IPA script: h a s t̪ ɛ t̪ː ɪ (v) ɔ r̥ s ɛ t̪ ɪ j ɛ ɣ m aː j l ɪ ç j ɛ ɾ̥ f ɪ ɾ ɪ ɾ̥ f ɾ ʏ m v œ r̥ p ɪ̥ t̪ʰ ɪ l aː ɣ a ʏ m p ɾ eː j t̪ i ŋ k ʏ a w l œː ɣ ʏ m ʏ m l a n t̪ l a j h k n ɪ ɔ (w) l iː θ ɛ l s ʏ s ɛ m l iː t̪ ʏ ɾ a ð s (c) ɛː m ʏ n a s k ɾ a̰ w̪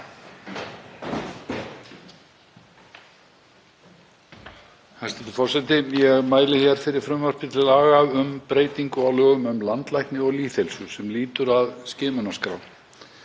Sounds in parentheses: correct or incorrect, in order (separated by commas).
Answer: incorrect, incorrect, correct